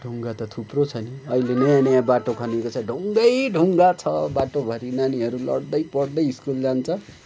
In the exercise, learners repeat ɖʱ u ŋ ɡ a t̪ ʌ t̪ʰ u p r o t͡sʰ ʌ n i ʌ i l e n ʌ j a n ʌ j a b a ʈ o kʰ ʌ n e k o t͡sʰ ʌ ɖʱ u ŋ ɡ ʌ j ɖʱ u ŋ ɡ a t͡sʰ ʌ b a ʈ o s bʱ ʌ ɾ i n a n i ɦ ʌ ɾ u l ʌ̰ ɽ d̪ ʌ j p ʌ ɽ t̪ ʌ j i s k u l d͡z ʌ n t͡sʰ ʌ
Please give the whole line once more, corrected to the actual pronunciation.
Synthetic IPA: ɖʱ u ŋ ɡ a t̪ ʌ t̪ʰ u p r o t͡sʰ ʌ n i ʌ i l e n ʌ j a n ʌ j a b a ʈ o kʰ ʌ n e k o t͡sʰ ʌ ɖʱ u ŋ ɡ ʌ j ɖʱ u ŋ ɡ a t͡sʰ ʌ b a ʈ o bʱ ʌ ɾ i n a n i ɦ ʌ ɾ u l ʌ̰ ɽ d̪ ʌ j p ʌ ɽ d̪ ʌ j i s k u l d͡z a n t͡sʰ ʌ